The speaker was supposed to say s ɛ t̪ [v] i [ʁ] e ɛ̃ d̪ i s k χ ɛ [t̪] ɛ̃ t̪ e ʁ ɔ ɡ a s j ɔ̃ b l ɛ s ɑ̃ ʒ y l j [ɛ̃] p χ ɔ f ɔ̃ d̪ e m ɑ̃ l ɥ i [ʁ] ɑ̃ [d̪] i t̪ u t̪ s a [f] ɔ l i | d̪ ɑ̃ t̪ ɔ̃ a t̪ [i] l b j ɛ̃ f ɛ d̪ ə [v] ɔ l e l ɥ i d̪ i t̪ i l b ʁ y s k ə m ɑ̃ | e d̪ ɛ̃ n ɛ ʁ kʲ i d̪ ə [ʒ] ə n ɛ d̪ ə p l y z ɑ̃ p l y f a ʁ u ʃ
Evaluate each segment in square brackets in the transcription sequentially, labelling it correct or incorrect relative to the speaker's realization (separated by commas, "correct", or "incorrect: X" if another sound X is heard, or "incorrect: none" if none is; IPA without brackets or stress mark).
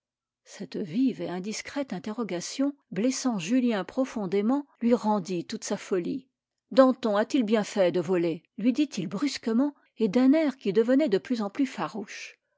correct, incorrect: v, correct, correct, correct, correct, correct, correct, correct, incorrect: v